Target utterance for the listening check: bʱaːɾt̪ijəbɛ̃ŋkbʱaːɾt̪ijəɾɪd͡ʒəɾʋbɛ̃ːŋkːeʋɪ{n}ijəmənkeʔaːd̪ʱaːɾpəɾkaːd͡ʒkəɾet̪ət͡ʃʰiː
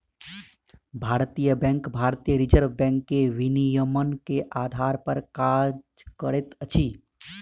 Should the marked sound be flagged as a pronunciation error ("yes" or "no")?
no